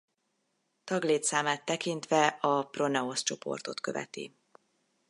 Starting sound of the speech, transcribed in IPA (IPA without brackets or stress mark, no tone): t̪